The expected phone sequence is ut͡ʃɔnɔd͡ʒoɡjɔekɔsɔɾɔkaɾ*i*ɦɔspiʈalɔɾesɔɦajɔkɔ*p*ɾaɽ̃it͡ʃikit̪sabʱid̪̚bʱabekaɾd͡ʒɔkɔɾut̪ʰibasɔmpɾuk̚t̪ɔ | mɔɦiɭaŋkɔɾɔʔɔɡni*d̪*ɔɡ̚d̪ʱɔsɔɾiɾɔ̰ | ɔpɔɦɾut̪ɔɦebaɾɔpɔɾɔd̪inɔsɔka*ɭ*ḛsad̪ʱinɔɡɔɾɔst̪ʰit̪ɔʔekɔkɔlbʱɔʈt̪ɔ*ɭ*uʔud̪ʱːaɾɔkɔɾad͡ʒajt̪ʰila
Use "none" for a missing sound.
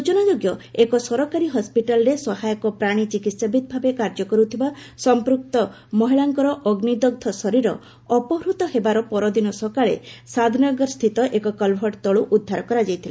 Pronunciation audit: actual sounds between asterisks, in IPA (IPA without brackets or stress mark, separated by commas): i, p, d̪, ɭ, ɭ